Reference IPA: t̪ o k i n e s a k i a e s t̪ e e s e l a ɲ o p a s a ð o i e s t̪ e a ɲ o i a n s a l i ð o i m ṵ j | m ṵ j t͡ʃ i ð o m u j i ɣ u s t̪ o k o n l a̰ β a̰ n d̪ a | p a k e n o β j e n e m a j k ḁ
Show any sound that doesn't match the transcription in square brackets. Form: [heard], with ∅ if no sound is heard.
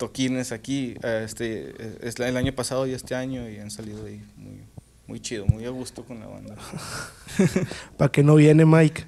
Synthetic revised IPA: t̪ o k i n e s a k i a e s t̪ e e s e l a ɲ o p a s a ð o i e s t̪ e a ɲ o i a n s a l i ð o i m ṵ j | m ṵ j t͡ʃ i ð o m u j [a] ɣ u s t̪ o k o n l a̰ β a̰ n d̪ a | p a k e n o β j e n e m a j k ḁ